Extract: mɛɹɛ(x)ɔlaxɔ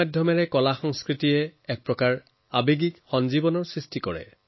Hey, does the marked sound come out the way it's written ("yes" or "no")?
no